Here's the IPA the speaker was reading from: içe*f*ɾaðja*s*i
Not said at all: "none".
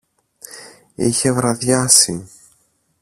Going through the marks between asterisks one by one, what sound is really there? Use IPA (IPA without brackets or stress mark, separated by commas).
v, s